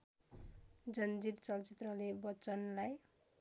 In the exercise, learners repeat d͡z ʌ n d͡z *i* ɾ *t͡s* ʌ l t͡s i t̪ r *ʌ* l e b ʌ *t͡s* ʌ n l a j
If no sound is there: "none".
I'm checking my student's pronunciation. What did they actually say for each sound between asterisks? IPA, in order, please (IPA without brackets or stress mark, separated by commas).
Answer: i, t͡s, ʌ, t͡s